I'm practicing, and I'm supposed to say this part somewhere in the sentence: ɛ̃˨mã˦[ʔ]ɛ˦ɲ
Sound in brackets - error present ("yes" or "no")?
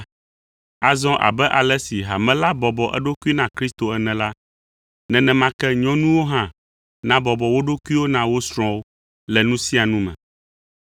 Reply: yes